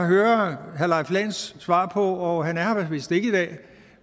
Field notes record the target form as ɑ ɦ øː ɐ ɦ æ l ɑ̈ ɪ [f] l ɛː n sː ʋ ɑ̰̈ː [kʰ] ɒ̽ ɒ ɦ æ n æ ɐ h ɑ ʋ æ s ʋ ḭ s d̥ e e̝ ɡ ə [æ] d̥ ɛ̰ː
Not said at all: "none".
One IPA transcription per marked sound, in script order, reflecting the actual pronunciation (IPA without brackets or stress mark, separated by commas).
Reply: f, pʰ, i